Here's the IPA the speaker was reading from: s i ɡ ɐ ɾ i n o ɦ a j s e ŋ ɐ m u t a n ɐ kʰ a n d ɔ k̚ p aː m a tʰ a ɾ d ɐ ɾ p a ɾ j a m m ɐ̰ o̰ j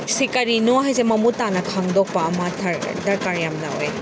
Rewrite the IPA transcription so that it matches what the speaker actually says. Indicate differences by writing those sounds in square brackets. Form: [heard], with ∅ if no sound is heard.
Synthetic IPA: s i [k] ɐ ɾ i n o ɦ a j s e [m] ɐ m u t a n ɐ kʰ a [ŋ] d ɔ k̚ p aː m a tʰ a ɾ d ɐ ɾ [k] a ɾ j a m [n] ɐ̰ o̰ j